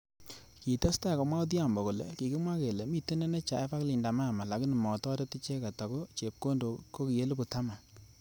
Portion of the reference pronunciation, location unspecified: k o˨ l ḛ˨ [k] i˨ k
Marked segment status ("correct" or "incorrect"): correct